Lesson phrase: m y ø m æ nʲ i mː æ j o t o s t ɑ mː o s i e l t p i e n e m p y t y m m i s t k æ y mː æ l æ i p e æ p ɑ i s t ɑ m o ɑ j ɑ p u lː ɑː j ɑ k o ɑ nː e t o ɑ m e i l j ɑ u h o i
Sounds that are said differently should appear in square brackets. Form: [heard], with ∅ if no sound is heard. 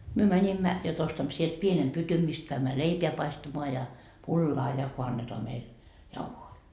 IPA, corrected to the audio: m y ø m æ nʲ i mː æ j o t o s t ɑ mː o s i e l t p i e n e m p y t y m m i s t k æ y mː æ l [e] i p e æ p ɑ i s t ɑ m o ɑ j ɑ p u lː ɑː j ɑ k o ɑ nː e t o ɑ m e i l j ɑ u h o i